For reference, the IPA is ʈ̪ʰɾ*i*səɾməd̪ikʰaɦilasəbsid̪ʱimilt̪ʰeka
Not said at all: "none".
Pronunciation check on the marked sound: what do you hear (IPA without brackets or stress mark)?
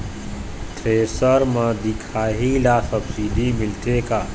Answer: e